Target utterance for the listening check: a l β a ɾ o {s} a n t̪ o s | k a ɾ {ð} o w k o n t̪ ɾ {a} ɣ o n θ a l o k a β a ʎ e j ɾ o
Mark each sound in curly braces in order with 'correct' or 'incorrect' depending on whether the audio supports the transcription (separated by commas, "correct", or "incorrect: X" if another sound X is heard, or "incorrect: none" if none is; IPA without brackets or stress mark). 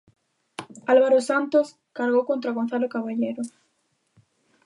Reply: correct, incorrect: ɣ, correct